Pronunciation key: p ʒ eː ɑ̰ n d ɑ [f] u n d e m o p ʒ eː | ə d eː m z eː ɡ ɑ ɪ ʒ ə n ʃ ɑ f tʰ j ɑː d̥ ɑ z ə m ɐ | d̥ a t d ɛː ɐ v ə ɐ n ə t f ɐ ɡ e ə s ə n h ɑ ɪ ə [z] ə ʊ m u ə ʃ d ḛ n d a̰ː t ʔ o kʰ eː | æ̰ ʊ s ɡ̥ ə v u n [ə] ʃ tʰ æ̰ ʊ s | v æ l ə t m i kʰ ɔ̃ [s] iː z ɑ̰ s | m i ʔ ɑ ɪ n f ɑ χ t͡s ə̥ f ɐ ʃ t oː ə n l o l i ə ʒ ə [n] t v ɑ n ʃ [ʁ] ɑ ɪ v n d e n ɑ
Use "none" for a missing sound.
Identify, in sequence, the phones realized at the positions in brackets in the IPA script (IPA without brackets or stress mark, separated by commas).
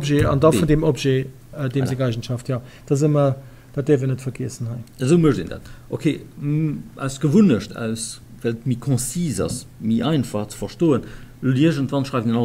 f, z, ə, s, n, ʁ